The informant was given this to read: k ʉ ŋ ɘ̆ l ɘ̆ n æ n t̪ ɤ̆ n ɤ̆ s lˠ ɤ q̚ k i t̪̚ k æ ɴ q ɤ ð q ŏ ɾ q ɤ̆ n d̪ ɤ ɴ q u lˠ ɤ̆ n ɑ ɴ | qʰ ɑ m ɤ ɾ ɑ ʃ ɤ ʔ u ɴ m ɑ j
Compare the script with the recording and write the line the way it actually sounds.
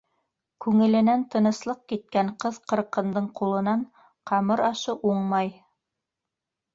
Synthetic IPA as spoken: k ʉ ŋ ɘ̆ l ɘ̆ n æ n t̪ ɤ̆ n ɤ̆ s lˠ ɤ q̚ k i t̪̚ k æ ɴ q ɤ ð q ɤ̆ ɾ q ɤ̆ n d̪ ɤ ɴ q u lˠ ɤ̆ n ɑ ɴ | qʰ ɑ m ɤ ɾ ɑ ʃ ɤ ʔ u ɴ m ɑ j